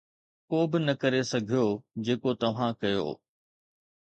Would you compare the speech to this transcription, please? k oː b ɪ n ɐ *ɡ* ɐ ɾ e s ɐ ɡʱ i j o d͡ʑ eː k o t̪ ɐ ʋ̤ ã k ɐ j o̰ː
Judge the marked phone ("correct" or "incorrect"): incorrect